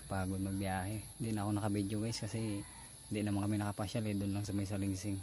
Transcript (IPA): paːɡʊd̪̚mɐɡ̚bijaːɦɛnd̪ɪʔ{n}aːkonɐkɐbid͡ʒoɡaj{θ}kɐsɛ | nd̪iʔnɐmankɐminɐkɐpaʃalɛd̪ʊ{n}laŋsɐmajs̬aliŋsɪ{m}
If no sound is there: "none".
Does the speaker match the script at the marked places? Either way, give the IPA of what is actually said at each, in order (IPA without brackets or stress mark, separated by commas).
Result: n, s, n, ŋ